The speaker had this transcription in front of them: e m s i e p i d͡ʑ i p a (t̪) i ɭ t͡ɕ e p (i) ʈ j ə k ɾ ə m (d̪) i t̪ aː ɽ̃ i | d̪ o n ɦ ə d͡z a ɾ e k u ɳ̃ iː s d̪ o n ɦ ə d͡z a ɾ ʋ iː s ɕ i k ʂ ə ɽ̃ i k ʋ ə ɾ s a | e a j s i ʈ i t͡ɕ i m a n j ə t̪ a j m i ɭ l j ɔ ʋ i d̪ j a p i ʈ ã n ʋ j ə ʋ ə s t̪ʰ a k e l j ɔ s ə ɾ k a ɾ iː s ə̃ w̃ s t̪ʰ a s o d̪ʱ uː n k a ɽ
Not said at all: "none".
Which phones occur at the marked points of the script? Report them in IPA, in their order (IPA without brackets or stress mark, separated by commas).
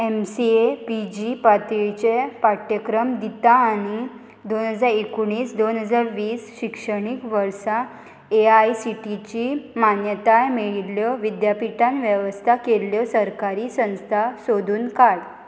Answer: t̪, a, d̪